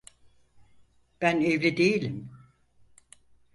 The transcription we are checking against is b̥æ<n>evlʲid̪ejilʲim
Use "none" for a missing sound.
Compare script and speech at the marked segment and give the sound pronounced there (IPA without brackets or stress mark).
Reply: n